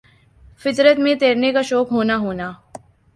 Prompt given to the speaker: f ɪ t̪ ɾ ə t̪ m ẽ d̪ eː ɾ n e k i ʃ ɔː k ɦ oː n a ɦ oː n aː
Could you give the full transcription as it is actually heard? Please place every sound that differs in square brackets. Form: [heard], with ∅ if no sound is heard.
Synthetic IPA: f ɪ t̪ ɾ ə t̪ m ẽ [t̪] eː ɾ n e k [a] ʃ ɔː k ɦ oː n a ɦ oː n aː